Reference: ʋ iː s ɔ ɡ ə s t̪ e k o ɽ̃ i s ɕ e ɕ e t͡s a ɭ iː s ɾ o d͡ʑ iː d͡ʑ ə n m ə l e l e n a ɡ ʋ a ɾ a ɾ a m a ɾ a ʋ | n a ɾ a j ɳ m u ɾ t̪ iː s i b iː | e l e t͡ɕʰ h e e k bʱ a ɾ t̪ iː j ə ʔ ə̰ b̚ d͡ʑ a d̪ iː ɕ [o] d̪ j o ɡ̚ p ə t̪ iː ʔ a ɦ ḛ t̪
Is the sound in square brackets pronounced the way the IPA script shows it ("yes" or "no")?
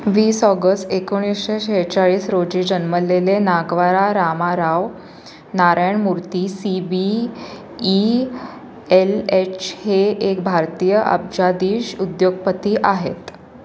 no